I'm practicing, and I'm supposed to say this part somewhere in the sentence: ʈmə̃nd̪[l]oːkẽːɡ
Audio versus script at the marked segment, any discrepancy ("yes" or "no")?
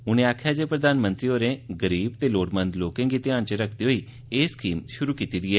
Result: no